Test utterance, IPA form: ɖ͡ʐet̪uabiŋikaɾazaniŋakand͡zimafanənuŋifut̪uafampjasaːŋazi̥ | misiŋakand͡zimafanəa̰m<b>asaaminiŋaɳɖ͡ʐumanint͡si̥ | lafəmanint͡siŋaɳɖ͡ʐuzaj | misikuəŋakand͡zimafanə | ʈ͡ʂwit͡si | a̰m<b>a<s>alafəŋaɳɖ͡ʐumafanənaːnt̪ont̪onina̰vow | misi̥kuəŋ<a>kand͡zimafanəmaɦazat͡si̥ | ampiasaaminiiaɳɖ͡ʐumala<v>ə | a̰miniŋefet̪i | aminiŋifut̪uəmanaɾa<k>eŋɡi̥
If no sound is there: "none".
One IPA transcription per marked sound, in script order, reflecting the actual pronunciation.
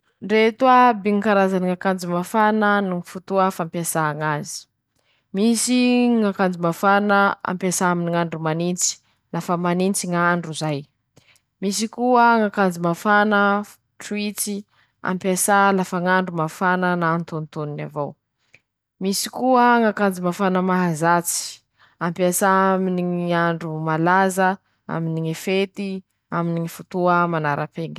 p, p, s, a, z, p

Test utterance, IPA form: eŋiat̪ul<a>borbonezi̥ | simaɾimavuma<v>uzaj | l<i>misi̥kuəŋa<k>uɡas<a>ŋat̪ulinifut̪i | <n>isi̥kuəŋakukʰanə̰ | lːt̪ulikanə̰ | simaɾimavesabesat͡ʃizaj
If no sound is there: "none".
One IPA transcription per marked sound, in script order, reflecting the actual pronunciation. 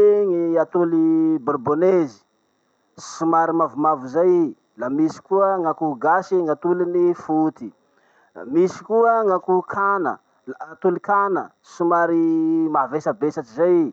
i, v, a, k, i, m

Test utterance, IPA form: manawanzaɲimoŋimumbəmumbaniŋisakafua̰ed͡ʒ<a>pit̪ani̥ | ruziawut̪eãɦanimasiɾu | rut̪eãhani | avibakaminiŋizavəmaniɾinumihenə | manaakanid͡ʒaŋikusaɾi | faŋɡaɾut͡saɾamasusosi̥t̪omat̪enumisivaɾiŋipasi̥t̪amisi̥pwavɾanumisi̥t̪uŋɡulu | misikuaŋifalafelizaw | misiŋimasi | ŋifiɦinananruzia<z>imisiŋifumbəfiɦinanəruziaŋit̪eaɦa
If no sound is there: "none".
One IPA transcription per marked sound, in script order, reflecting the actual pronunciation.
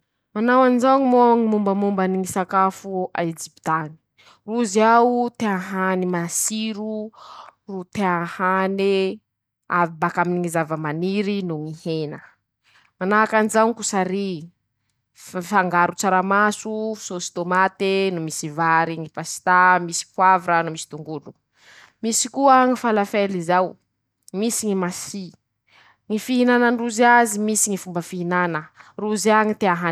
i, z

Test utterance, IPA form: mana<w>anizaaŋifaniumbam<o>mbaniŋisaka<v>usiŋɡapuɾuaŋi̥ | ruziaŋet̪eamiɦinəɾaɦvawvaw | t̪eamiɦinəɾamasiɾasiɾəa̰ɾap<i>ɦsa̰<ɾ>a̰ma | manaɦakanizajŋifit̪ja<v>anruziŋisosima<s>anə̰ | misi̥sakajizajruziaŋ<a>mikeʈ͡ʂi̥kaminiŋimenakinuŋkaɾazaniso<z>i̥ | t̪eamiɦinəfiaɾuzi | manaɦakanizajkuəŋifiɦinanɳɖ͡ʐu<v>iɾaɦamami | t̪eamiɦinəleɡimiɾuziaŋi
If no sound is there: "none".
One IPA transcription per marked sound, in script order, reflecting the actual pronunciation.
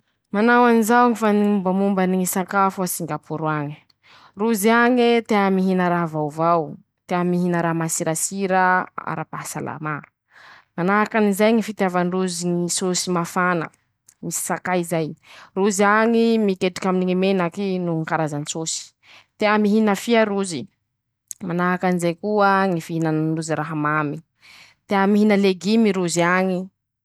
w, u, f, a, l, v, f, i, s, z

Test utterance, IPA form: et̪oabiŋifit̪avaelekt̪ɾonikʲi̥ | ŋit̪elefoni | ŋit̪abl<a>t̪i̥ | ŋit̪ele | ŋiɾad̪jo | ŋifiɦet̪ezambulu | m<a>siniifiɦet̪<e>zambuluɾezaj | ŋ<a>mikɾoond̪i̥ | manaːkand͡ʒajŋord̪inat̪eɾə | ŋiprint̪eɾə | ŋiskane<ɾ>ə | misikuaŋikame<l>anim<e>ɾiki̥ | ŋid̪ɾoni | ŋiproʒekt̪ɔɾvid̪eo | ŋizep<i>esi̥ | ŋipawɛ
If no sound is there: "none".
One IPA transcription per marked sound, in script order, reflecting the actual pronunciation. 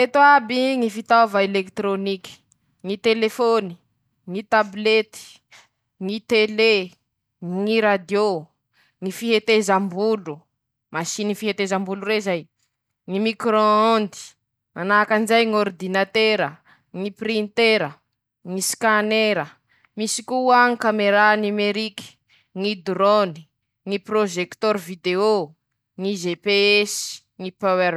e, a, e, i, ɾ, ɾ, e, e

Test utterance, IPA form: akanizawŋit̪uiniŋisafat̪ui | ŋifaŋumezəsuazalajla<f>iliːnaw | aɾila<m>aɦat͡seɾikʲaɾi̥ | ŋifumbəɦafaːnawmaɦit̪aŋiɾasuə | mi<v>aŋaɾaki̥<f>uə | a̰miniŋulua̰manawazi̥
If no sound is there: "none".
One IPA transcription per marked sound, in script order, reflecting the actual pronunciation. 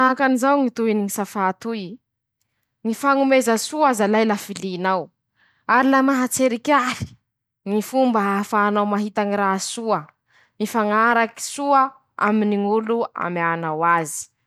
f, m, f, s

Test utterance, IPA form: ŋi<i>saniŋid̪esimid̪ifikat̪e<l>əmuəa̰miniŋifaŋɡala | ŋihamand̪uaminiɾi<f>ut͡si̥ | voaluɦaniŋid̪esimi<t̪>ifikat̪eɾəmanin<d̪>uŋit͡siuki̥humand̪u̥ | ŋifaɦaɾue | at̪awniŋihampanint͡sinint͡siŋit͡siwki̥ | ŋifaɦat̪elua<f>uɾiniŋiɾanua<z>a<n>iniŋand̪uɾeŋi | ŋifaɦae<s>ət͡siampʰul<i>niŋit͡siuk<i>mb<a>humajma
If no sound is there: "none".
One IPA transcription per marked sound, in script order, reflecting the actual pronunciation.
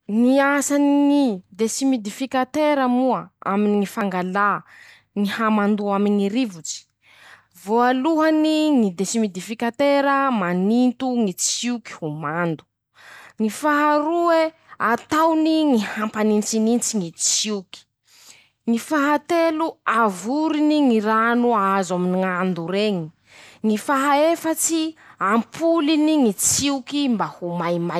a, ɾ, v, d̪, t̪, v, z, m, f, i, i, a

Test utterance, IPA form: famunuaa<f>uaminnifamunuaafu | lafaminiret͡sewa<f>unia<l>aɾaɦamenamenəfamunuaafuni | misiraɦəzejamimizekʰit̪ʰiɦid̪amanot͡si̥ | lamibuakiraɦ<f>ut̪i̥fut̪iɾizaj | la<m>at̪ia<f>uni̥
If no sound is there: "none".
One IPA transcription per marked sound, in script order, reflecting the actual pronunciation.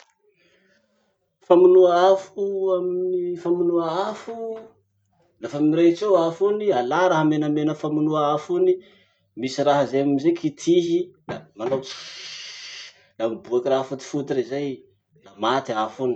f, f, l, f, m, f

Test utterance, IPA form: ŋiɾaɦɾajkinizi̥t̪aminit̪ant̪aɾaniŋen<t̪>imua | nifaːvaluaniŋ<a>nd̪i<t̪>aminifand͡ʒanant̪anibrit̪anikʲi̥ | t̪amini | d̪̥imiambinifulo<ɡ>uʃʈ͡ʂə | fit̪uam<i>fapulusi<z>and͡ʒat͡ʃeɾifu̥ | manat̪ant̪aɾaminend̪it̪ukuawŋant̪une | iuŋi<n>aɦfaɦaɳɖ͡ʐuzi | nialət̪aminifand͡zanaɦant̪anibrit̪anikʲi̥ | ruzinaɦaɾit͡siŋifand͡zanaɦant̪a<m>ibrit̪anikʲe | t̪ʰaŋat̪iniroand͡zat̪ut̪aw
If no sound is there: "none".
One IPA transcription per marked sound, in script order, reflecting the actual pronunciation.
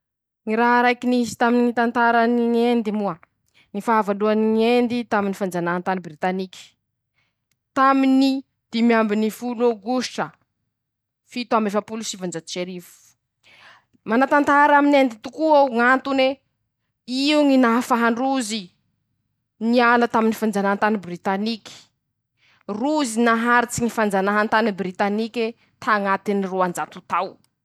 d̪, e, t̪, ɡ, e, v, n, n

